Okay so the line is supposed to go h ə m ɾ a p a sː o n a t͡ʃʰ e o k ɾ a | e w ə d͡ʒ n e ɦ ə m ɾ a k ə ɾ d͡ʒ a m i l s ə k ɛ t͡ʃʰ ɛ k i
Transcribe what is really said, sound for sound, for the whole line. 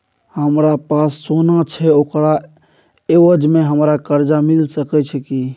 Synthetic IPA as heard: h ə m ɾ a p a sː o n a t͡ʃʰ ɛ o k ɾ a | e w ə d͡ʒ m e ɦ ə m ɾ a k ə ɾ d͡ʒ a m i l s ə k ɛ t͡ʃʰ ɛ k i